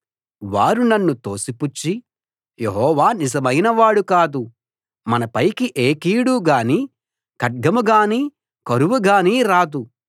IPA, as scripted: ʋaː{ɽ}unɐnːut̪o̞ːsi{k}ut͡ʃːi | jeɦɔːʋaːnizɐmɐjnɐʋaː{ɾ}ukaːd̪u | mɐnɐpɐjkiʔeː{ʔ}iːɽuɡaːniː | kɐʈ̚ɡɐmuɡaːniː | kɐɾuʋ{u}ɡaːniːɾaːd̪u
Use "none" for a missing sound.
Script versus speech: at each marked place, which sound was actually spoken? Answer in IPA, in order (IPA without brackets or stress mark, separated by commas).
ɾ, p, ɽ, k, u